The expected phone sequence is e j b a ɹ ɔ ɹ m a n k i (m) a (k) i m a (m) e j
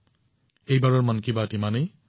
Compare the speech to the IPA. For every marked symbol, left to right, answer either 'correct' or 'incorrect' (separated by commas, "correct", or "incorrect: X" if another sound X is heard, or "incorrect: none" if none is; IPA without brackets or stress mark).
incorrect: b, incorrect: t, incorrect: n